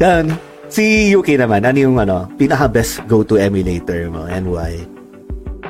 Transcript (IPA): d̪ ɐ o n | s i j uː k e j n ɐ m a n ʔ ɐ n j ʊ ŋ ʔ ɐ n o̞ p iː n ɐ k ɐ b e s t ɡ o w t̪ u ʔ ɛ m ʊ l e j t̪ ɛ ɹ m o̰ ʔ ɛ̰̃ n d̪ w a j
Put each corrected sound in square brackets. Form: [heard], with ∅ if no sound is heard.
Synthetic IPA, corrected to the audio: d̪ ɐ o n | s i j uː k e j n ɐ m a n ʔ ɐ n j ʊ ŋ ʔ ɐ n o̞ p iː n ɐ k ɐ b [ɛ] s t ɡ o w t̪ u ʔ ɛ m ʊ l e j t̪ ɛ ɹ m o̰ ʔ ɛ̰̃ n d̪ w a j